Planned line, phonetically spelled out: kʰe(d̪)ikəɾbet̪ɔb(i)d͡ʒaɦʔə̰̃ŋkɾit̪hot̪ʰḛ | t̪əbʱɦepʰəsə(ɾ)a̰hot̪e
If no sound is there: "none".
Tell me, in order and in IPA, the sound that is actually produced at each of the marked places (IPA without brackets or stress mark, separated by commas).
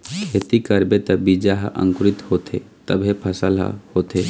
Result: t̪, i, l